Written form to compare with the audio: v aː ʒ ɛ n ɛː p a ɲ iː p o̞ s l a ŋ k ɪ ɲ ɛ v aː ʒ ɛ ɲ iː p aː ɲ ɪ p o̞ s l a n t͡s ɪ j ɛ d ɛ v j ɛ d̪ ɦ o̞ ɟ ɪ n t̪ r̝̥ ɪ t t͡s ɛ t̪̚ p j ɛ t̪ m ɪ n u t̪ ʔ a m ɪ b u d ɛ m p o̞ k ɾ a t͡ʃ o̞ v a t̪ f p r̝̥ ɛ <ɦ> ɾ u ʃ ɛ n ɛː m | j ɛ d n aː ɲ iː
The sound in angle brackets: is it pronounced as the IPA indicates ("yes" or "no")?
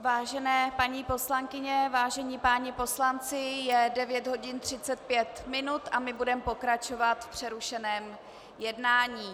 no